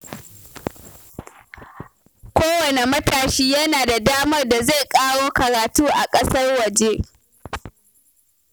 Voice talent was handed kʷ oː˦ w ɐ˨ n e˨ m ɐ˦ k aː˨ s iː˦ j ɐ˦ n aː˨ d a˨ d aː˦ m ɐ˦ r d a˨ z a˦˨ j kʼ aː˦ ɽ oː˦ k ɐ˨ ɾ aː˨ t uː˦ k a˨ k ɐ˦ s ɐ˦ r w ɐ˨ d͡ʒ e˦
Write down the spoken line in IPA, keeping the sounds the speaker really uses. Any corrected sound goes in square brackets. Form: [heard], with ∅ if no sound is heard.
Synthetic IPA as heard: kʷ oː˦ w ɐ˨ n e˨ m ɐ˦ [t] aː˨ [ʃ] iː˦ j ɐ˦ n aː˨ d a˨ d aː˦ m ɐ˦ r d a˨ z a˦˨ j kʼ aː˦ ɽ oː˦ k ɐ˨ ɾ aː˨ t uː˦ [ʔ] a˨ [kʼ] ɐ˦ s ɐ˦ r w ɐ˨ d͡ʒ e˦